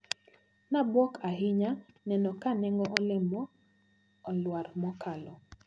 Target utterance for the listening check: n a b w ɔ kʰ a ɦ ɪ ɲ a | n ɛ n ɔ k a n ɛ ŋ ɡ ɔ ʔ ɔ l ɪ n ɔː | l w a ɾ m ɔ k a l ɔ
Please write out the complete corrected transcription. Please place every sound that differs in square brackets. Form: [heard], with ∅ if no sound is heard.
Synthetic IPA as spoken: n a b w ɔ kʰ a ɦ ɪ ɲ a | n ɛ n ɔ k a n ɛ ŋ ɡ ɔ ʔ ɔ l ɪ [m] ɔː | l w a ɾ m ɔ k a l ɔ